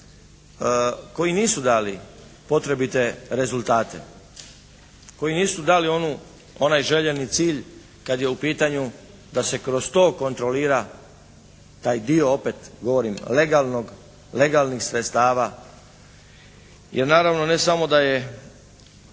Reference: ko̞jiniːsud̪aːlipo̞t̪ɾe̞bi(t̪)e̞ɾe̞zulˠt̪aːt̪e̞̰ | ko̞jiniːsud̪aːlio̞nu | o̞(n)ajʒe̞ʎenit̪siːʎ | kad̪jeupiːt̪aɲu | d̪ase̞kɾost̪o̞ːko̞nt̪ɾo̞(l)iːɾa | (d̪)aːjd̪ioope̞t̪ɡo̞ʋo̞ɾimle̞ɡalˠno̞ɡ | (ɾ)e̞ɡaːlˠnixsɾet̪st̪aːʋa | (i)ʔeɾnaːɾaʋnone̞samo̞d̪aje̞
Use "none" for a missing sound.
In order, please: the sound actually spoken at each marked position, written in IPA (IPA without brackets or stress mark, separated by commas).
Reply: t̪, n, l, t̪, l, j